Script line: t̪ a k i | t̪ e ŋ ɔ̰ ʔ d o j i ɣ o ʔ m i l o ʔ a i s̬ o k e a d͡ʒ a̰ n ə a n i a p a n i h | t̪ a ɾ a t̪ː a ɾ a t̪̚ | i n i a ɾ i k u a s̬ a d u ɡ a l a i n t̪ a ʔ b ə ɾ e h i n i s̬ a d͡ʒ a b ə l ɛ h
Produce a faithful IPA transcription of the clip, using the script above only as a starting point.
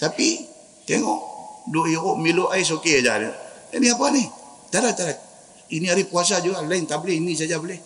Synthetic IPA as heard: t̪ a p i | t̪ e ŋ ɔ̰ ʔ d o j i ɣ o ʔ m i l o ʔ a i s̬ o k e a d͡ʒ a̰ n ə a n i a p a n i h | t̪ a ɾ a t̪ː a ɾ a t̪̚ | i n i a ɾ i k u a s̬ a d͡ʒ u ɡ a l a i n t̪ a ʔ b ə l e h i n i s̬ a d͡ʒ a b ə l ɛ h